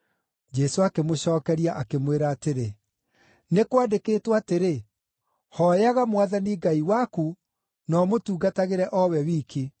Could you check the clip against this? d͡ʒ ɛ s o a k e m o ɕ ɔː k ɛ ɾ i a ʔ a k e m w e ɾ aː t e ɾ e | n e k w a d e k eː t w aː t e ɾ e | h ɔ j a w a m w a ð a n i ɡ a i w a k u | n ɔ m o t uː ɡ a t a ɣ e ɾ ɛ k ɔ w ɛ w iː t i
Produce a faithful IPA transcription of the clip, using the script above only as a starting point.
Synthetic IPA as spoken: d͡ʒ ɛ s o a k e m o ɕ ɔː k ɛ ɾ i a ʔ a k e m w e ɾ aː t e ɾ e | n e k w a d e k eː t w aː t e ɾ e | h ɔ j a ɣ a m w a ð a n i ɡ a i w a k u | n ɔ m o t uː ɡ a t a ɣ e ɾ ɛ ʔ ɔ w ɛ w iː k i

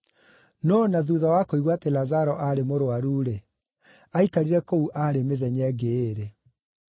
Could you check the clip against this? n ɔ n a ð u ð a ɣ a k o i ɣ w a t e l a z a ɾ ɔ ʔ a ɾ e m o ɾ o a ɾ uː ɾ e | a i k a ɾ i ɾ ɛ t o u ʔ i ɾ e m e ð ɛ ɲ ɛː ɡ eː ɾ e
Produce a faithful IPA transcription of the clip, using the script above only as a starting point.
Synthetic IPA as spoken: n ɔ n a ð u ð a w a k o i ɣ w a t e l a z a ɾ ɔ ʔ a ɾ e m o ɾ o a ɾ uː ɾ e | a i k a ɾ i ɾ ɛ k o u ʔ a ɾ e m e ð ɛ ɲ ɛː ɡ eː ɾ e

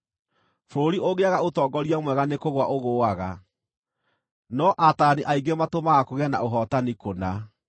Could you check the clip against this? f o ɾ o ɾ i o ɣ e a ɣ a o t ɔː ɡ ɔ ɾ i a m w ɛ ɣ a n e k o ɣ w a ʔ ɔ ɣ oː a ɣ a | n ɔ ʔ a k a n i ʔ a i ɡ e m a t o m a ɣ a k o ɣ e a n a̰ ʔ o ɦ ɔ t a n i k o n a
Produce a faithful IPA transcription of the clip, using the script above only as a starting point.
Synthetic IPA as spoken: f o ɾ o ɾ i o ɣ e a ɣ a o t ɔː ɡ ɔ ɾ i a m w ɛ ɣ a n e k o ɣ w a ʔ o ɣ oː a ɣ a | n ɔ ʔ a t a n i ʔ a i ɡ e m a t o m a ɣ a k o ɣ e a n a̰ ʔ o ɦ ɔ t a n i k o n a

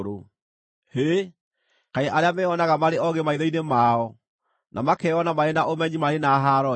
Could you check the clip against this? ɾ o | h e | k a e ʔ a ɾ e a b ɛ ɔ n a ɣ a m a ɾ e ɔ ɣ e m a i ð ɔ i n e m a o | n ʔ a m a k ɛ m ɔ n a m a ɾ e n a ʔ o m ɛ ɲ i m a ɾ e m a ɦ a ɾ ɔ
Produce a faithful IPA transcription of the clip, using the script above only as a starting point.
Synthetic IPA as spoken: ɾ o | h e | k a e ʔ a ɾ e a m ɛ ɔ n a ɣ a m a ɾ e ɔ ɣ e m a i ð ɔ i n e m a ɔ | n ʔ a m a k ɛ ɔ n a m a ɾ e n a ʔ o m ɛ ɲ i m a ɾ e n a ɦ a ɾ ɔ

